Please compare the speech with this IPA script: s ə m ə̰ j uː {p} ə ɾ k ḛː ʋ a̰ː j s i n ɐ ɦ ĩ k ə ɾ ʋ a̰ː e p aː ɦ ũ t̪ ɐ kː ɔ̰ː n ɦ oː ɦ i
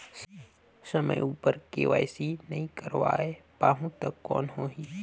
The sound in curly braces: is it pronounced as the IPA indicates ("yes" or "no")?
yes